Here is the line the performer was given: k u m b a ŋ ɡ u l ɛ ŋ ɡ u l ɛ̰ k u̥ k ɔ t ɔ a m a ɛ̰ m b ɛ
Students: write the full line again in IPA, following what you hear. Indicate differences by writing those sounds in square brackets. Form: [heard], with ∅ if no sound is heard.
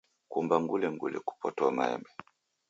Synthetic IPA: k u m b a ŋ ɡ u l ɛ ŋ ɡ u l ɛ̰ k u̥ [p] ɔ t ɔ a m a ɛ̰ m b ɛ